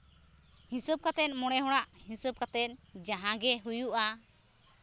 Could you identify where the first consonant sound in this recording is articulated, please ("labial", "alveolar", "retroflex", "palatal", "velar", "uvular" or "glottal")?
glottal